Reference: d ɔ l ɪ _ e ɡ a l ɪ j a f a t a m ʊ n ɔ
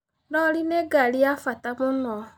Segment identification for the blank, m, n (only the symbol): n